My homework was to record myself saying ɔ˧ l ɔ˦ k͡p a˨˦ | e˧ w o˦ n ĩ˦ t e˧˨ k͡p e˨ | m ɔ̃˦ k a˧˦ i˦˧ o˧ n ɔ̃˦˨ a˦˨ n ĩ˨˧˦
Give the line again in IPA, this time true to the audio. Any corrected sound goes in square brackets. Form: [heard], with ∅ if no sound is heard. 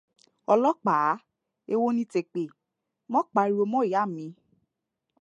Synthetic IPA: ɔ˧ l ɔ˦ k͡p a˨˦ | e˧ w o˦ n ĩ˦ t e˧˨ k͡p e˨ | m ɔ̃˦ [k͡p] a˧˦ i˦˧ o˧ [m] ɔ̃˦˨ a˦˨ [m] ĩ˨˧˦